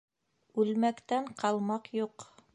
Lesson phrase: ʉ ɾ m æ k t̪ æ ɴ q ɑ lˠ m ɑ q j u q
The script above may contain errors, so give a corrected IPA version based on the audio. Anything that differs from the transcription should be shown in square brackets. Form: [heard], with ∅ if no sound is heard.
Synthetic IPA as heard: ʉ [l] m æ k t̪ æ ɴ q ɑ lˠ m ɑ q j u q